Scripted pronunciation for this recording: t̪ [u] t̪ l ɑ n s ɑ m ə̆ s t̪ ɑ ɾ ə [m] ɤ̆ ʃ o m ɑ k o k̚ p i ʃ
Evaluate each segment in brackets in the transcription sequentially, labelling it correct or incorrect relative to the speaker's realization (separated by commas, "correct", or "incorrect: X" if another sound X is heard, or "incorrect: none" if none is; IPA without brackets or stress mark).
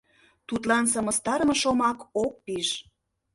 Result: correct, correct